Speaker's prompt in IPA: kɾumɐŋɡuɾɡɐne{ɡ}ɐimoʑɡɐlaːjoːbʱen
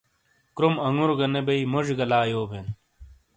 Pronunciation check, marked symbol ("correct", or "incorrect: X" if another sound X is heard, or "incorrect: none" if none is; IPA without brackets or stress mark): incorrect: b